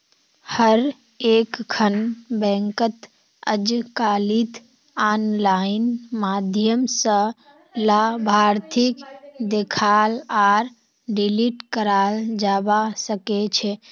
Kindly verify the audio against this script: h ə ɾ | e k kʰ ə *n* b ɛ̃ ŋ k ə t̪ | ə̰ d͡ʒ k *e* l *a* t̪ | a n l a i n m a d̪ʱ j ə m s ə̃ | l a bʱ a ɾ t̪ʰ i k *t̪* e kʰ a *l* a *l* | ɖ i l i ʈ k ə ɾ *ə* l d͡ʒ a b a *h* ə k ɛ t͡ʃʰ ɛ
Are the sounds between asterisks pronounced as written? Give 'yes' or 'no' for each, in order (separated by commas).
yes, no, no, no, yes, no, no, no